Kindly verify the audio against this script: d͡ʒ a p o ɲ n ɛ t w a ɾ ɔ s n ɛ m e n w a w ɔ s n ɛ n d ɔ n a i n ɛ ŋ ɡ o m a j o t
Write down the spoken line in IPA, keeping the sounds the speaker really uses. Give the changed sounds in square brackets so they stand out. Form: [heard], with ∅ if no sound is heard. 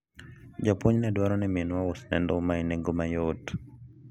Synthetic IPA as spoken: d͡ʒ a p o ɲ n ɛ [d] w a ɾ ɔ [∅] n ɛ m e n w a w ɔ s n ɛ n d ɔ [m] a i n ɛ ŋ ɡ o m a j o t